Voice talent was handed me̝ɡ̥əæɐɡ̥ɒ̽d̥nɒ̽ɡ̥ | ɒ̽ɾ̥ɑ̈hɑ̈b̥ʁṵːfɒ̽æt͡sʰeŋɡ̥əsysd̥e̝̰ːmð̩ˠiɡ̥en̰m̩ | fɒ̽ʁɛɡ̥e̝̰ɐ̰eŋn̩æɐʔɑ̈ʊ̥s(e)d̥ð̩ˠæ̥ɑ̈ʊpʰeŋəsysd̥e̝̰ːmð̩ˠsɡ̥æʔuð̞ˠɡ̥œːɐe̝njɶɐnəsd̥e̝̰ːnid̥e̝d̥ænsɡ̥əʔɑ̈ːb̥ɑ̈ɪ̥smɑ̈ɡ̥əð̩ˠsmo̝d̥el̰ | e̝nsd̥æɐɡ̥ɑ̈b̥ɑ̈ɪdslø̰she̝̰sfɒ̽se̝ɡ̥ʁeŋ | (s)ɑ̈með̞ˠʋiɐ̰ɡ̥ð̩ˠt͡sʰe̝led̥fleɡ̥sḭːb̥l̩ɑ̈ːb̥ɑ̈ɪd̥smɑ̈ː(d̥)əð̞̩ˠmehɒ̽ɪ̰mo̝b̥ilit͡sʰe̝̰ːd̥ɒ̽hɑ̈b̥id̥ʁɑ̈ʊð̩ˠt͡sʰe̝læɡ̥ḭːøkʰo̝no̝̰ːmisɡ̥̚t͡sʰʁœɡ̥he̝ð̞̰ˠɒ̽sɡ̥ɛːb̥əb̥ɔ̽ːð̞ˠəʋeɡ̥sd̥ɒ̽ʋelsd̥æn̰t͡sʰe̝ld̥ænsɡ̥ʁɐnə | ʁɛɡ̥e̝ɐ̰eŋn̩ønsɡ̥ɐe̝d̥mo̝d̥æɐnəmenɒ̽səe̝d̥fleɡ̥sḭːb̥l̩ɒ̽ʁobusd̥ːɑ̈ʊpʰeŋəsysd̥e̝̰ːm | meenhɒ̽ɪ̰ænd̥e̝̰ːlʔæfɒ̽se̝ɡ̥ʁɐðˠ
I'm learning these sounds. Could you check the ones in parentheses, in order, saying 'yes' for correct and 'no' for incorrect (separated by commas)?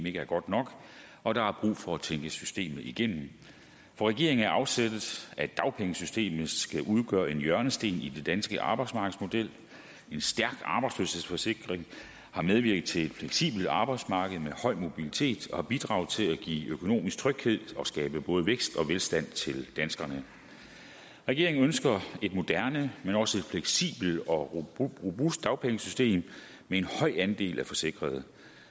yes, no, no